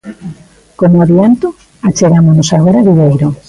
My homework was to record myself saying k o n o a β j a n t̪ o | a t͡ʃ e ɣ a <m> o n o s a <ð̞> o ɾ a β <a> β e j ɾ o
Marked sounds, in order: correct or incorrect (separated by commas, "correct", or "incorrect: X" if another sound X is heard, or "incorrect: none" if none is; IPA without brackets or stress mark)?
correct, incorrect: ɣ̞, incorrect: i